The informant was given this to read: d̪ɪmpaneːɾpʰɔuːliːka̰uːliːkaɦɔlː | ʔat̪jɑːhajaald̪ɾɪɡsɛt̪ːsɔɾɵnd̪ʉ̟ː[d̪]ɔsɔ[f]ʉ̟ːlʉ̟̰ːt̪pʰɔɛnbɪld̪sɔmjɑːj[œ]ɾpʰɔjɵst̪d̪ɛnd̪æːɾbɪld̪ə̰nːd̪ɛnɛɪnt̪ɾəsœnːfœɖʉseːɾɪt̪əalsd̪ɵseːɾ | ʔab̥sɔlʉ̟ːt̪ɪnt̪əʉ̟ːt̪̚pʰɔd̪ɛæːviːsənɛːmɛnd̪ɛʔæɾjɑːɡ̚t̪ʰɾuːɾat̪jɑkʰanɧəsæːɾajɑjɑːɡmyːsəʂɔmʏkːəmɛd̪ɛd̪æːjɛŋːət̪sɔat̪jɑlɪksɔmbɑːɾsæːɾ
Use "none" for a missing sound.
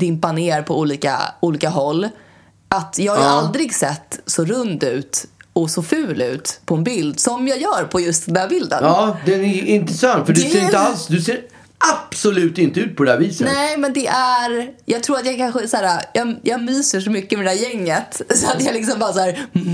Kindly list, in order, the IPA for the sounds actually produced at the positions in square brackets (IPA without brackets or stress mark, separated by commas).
t̪, f, œː